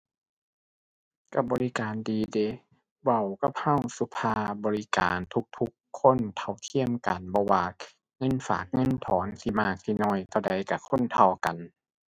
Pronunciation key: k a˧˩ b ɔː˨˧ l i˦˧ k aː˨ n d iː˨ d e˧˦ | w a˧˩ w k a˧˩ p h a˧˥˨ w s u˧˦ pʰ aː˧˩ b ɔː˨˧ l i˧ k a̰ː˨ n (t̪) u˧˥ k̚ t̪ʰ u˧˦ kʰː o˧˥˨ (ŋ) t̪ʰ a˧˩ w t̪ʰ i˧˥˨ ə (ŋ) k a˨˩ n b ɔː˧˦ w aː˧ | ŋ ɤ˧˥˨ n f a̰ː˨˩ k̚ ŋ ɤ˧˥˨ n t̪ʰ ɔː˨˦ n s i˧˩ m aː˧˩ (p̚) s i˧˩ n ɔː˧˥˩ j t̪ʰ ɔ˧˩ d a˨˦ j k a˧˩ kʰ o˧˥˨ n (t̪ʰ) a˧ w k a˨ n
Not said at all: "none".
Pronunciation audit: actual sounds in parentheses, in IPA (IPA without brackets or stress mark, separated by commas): t̪ʰ, n, m, k̚, t̪ʰ